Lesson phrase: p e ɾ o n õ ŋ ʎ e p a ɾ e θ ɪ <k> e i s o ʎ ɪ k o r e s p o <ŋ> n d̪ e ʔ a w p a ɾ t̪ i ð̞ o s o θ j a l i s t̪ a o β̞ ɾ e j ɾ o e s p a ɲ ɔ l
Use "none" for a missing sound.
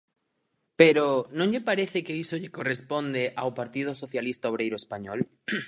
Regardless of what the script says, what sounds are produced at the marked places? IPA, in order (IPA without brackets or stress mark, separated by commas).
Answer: k, none